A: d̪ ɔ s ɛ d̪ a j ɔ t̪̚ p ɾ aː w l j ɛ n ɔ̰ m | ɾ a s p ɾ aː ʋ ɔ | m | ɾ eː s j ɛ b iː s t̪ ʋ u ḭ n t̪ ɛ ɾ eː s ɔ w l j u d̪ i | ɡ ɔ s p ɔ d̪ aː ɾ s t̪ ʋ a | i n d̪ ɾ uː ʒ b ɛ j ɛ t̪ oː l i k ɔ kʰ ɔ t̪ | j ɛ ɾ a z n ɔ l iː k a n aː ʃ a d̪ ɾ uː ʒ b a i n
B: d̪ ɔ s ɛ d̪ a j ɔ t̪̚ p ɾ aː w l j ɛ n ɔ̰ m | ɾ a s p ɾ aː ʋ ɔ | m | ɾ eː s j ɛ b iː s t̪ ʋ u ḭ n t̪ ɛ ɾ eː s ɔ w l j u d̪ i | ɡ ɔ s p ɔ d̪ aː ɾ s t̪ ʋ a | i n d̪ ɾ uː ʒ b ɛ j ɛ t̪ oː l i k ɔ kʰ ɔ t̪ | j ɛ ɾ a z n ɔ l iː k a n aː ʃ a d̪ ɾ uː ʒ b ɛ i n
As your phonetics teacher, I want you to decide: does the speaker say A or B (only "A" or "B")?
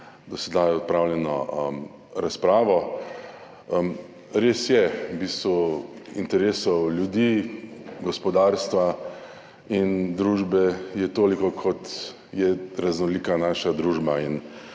A